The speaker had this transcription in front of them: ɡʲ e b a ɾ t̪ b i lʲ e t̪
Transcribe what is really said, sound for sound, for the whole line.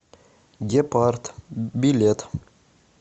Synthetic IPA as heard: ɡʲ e p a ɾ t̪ b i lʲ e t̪